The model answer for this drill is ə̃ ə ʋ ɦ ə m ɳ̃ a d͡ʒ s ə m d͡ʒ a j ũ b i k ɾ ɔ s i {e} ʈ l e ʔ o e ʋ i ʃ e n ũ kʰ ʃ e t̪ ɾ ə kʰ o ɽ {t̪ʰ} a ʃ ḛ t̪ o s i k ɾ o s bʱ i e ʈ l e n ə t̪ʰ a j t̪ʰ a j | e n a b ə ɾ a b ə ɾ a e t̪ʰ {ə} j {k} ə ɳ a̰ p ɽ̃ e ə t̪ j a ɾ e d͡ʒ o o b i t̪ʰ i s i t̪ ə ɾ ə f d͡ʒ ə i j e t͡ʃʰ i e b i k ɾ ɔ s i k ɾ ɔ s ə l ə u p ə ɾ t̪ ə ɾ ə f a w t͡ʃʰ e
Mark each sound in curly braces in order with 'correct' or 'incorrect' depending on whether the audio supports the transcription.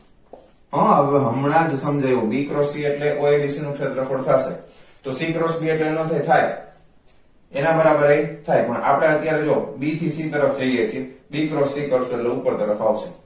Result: correct, correct, incorrect, incorrect

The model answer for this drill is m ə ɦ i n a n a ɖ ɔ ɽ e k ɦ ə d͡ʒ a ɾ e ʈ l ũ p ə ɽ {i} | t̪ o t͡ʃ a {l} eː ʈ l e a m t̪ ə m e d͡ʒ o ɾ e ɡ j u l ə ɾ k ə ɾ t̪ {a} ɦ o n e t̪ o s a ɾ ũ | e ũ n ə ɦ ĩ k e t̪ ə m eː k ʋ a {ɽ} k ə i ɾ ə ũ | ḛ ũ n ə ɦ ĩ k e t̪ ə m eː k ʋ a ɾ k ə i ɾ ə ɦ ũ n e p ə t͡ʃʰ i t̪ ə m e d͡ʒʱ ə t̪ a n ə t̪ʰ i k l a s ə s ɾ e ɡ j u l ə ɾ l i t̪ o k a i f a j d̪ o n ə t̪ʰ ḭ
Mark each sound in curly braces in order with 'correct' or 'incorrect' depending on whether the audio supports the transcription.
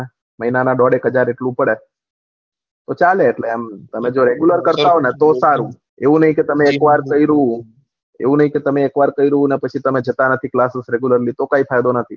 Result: incorrect, correct, correct, incorrect

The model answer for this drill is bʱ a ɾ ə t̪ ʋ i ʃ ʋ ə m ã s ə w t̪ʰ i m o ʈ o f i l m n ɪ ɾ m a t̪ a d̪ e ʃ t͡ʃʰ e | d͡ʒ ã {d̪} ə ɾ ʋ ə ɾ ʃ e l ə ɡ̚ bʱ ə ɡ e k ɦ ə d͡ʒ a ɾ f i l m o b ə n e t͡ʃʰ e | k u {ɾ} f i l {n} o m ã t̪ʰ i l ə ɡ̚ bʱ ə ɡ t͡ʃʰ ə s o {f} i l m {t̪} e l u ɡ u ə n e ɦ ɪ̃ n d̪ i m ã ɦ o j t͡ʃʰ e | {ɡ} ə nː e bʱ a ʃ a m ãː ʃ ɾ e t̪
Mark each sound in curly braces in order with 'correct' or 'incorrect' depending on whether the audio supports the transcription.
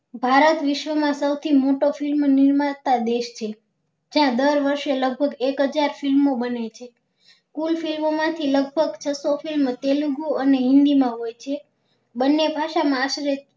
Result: correct, incorrect, incorrect, correct, correct, incorrect

